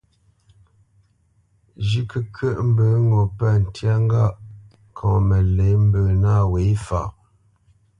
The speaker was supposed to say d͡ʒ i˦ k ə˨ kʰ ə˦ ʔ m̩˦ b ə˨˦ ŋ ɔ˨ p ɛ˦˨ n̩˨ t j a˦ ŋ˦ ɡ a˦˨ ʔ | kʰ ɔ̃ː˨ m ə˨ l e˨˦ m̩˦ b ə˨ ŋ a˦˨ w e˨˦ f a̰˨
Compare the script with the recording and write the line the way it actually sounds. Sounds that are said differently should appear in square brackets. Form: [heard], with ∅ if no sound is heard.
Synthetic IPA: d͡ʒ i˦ k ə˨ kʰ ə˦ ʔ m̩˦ b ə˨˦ ŋ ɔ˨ p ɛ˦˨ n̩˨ t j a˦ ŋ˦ ɡ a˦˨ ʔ | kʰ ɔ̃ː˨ m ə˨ l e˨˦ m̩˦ b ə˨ [n] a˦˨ w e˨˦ f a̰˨